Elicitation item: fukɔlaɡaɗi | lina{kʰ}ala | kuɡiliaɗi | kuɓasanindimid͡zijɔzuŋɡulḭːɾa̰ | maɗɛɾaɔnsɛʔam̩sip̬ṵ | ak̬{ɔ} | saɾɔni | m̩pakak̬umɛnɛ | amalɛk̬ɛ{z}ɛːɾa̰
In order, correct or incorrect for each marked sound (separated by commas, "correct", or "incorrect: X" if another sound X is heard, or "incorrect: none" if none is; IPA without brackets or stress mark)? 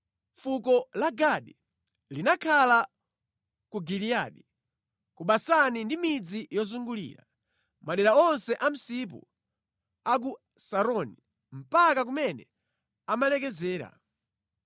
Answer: correct, incorrect: u, correct